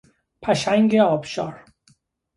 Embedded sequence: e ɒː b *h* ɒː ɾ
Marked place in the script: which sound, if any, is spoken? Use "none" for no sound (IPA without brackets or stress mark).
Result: ʃ